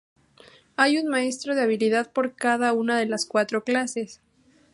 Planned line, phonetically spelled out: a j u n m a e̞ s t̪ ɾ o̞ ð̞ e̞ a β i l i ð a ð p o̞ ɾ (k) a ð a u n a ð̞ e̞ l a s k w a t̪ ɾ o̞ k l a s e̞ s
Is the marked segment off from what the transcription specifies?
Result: no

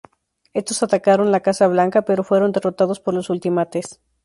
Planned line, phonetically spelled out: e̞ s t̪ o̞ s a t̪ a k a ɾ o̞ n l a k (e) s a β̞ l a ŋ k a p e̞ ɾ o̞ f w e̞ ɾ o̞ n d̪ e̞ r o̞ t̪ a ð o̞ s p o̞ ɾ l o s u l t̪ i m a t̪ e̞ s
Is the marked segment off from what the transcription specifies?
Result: yes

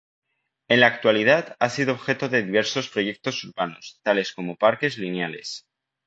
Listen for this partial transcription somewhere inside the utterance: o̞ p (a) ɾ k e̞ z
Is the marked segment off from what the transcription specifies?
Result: no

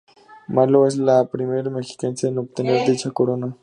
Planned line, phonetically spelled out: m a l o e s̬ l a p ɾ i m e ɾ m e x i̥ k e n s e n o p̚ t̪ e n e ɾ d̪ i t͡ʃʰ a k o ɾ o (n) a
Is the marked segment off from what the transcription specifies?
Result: no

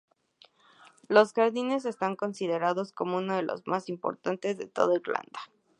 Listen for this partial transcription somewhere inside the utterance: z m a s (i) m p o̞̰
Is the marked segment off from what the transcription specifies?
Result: no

